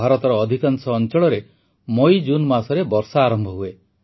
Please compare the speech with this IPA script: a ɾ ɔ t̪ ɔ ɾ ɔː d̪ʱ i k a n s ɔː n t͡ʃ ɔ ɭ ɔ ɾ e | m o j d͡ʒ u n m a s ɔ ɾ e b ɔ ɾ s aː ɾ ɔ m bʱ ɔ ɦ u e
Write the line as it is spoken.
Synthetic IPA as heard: a ɾ ɔ t̪ ɔ ɾ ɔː d̪ʱ i k a n s ɔː n t͡ʃ ɔ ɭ ɔ ɾ e | m o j d͡ʒ u n m a s ɔ ɾ e b ɔ ɾ s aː ɾ ɔ m bʱ ɔ ɦ u e